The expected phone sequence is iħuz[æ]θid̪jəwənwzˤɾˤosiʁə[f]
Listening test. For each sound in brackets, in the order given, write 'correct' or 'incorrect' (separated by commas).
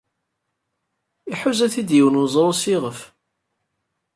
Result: correct, correct